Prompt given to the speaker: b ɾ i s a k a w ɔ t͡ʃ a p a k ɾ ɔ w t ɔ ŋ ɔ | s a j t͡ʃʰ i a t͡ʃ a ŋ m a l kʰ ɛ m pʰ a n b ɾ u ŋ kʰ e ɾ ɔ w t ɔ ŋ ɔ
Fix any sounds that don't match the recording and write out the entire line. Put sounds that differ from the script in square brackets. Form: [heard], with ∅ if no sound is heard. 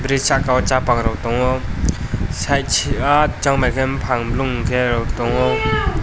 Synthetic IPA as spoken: b ɾ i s a k a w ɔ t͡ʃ a p a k ɾ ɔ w t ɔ ŋ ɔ | s a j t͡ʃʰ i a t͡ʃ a ŋ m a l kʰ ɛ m pʰ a [ŋ] b [l] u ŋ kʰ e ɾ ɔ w t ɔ ŋ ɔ